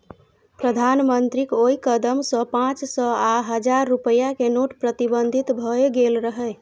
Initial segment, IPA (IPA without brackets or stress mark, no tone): p